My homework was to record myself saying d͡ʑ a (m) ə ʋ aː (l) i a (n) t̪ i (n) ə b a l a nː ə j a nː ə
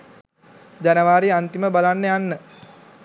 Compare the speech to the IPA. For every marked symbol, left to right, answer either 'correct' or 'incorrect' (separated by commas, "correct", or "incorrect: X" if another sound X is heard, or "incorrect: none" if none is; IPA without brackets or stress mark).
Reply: incorrect: n, incorrect: ɾ, correct, incorrect: m